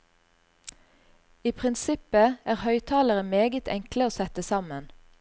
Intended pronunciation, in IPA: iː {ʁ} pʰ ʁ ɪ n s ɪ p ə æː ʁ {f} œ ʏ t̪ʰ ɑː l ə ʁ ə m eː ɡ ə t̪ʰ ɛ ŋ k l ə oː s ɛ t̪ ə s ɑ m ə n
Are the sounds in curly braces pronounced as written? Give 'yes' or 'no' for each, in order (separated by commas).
no, no